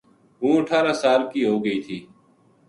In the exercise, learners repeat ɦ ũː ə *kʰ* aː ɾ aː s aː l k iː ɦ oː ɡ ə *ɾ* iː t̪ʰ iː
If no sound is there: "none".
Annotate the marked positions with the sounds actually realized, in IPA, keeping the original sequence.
ʈʰ, none

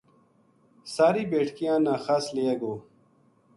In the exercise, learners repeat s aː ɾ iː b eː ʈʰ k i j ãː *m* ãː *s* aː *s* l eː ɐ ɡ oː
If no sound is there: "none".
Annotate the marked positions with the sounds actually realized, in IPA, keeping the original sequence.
n, x, s

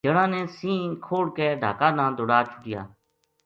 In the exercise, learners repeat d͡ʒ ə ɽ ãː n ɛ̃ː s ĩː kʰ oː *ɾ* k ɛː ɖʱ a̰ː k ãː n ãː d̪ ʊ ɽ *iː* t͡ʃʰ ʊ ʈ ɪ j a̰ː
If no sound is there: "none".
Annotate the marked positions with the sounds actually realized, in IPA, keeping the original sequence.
ɽ, aː

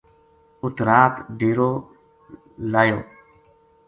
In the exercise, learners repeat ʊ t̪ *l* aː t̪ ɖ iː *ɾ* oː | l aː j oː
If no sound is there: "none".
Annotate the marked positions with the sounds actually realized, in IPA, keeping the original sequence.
ɾ, ɾ

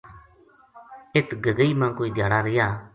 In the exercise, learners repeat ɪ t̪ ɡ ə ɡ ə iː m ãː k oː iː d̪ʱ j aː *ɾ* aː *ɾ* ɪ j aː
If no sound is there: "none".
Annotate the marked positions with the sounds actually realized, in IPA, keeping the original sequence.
ɽ, ɾ

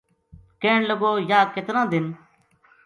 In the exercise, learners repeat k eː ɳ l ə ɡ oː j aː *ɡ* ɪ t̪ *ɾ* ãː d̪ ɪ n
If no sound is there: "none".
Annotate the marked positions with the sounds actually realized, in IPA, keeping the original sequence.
k, ɾ

